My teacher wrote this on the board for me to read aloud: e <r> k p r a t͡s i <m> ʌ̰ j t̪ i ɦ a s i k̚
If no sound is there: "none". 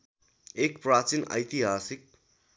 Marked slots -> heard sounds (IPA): none, n

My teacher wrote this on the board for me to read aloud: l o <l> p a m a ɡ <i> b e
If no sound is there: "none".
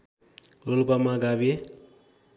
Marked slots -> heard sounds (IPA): l, a

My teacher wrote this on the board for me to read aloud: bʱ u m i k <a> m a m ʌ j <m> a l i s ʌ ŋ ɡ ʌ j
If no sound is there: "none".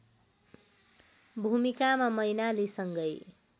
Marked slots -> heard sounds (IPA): a, n

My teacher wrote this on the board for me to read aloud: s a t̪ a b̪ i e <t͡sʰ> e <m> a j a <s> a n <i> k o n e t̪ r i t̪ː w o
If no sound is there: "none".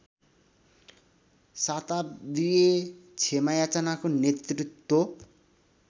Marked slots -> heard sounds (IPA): t͡sʰ, m, t͡s, a

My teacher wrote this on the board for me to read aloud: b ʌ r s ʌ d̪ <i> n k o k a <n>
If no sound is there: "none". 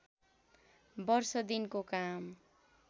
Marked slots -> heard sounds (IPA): i, m

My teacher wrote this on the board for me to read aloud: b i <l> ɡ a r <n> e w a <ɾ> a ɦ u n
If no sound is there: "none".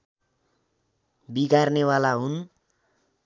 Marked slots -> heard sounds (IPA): none, n, l

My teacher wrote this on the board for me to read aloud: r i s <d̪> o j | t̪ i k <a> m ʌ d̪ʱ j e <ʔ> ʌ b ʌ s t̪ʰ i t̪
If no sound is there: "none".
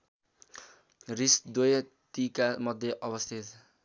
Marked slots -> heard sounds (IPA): d̪, a, ʔ

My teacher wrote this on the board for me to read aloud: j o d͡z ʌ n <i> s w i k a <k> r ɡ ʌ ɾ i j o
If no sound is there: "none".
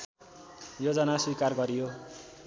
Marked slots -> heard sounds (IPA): a, none

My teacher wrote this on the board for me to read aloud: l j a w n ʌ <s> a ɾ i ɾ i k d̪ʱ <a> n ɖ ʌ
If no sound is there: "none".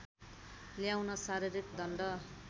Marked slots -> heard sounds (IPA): s, ʌ

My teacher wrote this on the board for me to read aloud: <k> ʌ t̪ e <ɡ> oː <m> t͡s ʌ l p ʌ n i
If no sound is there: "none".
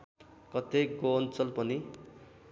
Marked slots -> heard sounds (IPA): k, ɡ, n

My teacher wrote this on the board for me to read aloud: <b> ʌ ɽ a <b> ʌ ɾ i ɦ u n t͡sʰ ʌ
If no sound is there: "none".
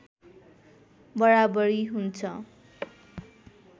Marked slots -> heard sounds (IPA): b, b

